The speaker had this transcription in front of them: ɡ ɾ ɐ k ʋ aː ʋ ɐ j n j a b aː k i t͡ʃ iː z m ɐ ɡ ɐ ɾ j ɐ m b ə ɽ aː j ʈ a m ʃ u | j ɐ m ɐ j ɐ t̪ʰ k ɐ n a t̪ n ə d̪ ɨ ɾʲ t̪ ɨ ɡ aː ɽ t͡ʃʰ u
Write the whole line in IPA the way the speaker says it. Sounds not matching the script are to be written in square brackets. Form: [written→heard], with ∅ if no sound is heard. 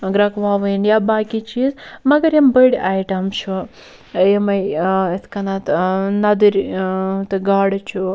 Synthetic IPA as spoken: ɡ ɾ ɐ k ʋ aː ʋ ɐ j n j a b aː k i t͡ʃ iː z m ɐ ɡ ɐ ɾ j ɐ m b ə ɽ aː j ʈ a m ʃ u | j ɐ m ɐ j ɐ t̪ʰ k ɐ n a t̪ n [ə→ɐ] d̪ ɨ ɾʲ t̪ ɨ ɡ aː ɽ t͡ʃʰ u